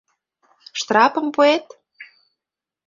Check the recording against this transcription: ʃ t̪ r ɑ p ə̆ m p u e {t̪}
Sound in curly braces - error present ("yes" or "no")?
no